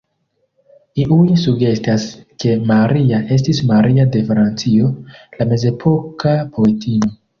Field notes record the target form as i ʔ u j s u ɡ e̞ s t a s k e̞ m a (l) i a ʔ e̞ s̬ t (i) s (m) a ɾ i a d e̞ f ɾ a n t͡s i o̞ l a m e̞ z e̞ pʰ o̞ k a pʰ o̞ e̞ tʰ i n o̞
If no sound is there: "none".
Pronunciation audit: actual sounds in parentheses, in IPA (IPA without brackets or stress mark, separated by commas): ɾ, i, m